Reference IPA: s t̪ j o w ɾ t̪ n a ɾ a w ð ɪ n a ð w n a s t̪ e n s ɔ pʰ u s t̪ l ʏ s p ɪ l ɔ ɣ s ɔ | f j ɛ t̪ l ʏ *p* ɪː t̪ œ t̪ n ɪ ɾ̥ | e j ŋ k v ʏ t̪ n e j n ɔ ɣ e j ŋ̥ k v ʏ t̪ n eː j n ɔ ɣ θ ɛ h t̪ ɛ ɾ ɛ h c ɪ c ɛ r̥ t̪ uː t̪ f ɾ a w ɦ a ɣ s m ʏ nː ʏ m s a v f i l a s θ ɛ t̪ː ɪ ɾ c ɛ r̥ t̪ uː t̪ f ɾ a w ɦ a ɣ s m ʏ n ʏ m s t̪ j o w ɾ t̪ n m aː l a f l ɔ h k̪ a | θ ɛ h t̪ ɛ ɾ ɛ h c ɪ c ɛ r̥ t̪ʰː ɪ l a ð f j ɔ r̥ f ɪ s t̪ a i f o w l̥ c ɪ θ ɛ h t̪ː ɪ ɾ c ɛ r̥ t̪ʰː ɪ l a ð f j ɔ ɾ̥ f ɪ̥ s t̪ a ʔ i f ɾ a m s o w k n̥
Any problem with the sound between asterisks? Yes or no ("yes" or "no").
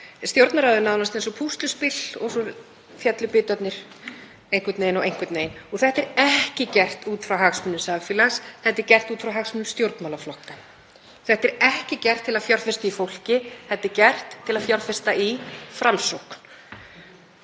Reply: no